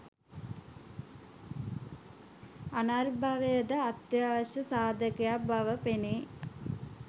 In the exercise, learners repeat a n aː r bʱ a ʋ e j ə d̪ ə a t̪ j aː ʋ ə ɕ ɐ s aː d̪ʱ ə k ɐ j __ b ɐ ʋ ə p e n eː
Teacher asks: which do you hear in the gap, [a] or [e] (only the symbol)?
a